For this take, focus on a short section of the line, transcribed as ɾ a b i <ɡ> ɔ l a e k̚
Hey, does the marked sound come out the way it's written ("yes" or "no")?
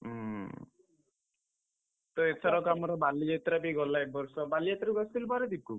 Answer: yes